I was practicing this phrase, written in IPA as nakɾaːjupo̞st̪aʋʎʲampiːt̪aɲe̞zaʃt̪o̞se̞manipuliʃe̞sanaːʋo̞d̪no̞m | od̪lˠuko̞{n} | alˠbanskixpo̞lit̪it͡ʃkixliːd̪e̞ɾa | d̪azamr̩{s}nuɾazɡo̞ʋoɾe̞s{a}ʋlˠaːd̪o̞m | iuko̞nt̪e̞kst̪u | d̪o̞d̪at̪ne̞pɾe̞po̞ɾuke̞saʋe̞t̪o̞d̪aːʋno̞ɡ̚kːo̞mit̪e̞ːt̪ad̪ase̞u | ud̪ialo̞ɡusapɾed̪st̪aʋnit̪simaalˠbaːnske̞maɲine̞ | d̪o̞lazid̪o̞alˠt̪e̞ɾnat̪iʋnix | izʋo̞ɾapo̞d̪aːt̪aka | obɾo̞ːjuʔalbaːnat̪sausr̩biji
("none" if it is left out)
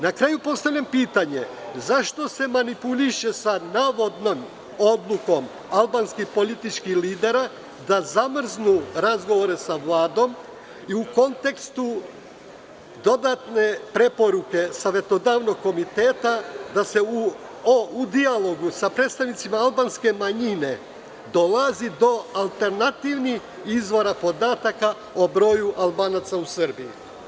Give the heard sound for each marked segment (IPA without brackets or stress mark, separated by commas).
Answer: m, z, a